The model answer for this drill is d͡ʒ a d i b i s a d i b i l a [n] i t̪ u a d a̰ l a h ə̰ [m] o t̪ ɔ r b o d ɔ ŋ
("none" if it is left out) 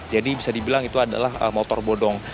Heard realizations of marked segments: ŋ, m

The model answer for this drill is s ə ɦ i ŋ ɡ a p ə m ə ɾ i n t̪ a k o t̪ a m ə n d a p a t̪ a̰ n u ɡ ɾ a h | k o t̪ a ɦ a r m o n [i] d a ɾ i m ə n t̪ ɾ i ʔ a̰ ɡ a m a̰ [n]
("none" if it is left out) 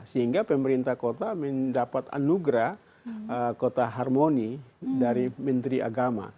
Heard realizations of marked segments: i, none

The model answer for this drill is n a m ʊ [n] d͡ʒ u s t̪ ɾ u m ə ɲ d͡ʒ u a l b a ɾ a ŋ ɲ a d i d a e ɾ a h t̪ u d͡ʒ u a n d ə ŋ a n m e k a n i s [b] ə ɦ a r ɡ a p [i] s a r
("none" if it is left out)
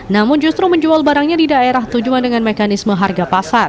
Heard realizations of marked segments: n, m, a

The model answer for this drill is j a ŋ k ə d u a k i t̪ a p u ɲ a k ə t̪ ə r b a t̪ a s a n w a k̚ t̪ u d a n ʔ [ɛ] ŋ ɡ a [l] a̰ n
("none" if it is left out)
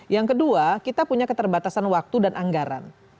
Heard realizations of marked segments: a, ɾ

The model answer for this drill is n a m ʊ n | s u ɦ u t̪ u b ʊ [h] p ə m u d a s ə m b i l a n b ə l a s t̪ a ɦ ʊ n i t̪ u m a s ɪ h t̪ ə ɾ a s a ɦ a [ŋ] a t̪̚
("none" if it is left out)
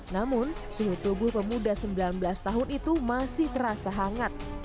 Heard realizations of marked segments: h, ŋ

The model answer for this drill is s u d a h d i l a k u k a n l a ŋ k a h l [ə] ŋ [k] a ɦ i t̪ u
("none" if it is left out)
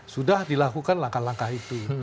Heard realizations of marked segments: a, k

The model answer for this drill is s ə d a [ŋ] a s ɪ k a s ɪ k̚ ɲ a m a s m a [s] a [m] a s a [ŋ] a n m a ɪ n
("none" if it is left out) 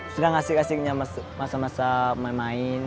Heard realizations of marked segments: ŋ, s, m, m

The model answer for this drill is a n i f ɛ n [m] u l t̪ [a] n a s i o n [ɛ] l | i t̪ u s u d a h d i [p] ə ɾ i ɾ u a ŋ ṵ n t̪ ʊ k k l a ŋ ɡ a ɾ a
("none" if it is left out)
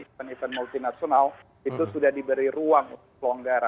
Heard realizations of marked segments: m, i, a, b

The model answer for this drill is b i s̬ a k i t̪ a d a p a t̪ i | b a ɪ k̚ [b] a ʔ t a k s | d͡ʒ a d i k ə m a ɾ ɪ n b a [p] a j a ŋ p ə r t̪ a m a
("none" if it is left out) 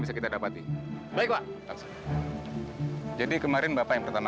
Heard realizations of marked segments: b, p

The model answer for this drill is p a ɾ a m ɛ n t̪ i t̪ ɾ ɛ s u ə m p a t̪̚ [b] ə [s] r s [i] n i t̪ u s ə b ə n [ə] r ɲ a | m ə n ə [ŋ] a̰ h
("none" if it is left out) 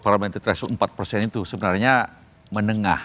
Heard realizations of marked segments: p, none, ɛ, a, ŋ

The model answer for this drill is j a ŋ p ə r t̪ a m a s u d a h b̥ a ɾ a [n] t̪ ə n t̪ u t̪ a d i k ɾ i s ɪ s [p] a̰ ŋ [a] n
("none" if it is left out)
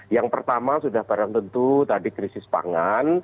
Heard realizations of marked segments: ŋ, p, a

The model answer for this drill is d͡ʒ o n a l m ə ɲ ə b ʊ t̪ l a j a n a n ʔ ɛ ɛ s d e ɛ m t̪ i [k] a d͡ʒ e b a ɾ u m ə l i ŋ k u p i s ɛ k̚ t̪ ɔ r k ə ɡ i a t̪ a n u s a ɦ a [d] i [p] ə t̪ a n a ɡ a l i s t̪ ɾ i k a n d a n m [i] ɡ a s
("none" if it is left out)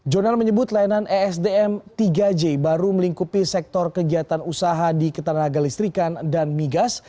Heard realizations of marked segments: ɡ, d, k, i

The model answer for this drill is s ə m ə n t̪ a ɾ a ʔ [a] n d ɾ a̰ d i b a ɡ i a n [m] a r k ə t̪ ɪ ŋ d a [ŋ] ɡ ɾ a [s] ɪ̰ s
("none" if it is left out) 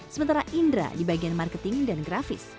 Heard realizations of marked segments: i, m, n, f

